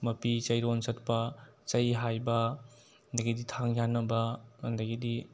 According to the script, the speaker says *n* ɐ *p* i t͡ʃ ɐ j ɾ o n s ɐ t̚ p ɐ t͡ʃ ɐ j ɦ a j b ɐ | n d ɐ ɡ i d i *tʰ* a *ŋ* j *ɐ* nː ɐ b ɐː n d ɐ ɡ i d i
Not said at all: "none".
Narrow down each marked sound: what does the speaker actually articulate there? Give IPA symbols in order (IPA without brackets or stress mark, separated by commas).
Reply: m, p, tʰ, ŋ, a